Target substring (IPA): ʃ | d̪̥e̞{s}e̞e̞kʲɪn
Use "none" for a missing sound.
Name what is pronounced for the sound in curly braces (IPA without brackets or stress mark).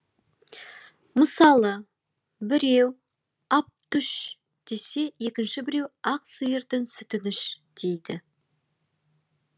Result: s